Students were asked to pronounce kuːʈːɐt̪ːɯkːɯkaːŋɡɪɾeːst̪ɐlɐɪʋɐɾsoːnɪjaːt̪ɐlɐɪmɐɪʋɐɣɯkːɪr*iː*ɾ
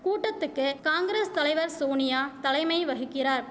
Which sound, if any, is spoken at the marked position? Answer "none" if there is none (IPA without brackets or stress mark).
aː